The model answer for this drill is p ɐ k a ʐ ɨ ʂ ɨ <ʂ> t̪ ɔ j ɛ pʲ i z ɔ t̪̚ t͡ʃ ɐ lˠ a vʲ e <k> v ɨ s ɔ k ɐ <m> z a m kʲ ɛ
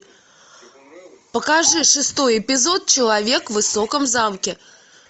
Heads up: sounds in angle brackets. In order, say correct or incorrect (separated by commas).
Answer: incorrect, correct, correct